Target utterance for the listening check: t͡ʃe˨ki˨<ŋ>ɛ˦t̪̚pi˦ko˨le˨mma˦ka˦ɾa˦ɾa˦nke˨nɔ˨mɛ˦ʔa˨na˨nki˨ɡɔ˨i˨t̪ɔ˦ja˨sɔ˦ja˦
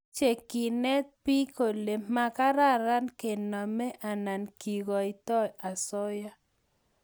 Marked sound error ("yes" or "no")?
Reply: yes